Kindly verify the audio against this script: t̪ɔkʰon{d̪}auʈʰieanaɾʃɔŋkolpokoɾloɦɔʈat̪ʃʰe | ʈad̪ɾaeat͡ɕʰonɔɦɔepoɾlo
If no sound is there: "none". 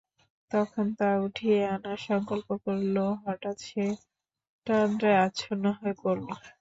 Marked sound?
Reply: t̪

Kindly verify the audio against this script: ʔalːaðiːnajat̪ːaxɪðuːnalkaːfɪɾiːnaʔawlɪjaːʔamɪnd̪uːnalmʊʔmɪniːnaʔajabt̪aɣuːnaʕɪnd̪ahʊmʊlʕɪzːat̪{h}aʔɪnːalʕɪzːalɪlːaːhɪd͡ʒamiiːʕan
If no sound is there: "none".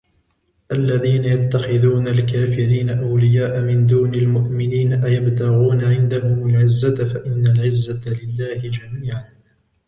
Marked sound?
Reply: f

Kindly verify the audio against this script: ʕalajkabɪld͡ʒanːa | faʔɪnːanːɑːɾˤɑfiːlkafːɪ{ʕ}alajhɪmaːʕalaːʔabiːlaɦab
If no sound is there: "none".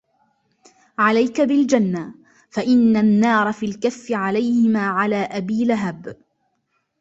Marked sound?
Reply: ʕ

